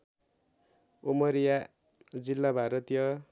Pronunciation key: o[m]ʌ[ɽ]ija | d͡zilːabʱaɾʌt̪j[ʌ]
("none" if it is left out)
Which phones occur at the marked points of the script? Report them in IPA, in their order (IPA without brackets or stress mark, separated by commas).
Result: m, ɾ, ʌ